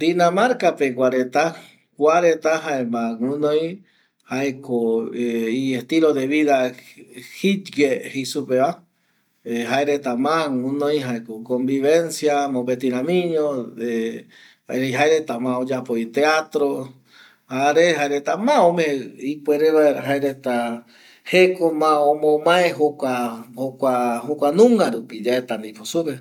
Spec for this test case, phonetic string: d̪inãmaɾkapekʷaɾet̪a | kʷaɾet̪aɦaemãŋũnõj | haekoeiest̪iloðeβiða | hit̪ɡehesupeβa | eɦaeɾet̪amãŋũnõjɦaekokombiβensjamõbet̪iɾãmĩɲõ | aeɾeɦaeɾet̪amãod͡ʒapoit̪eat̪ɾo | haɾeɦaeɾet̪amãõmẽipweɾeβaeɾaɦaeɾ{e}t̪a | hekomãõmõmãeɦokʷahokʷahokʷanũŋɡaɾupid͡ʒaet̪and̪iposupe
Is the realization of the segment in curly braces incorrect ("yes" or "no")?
no